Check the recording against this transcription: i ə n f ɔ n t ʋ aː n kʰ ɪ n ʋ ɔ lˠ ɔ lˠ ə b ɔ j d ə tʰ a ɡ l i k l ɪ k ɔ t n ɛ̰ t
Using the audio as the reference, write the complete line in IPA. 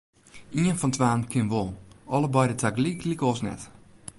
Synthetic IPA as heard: i ə n f ɔ n t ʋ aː n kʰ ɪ n ʋ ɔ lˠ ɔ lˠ ə b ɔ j d ə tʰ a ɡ l i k l i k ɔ s n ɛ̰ t